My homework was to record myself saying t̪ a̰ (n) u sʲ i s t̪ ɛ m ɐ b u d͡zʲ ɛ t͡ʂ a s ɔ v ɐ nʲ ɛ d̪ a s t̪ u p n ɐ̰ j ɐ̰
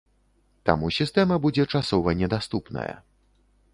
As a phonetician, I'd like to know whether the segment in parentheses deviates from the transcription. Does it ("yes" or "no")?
yes